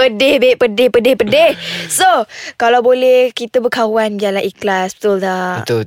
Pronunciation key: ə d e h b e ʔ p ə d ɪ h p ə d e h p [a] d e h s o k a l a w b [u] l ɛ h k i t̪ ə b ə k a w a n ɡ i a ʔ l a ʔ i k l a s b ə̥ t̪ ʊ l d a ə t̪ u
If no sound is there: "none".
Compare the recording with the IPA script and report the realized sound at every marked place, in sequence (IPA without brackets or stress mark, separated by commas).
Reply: ə, o